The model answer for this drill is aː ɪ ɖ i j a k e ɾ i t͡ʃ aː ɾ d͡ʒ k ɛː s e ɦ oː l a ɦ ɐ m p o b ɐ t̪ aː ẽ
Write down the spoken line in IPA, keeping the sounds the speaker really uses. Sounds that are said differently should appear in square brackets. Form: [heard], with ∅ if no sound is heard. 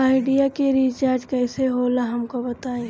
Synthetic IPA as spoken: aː ɪ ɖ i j a k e ɾ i t͡ʃ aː ɾ d͡ʒ k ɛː s e ɦ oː l a ɦ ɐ m [k] o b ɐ t̪ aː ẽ